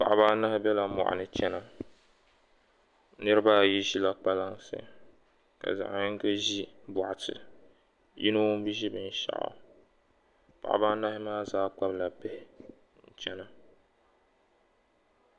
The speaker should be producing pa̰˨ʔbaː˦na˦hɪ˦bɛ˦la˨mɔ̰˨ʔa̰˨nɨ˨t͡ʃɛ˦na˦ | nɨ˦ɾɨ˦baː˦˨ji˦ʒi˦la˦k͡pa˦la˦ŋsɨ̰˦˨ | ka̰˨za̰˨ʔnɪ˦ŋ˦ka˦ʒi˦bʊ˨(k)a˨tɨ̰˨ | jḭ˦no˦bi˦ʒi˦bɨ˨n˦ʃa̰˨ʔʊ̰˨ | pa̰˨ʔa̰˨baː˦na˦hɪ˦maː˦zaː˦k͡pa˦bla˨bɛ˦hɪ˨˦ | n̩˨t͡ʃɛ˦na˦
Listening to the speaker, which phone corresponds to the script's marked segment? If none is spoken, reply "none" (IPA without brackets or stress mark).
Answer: ʔ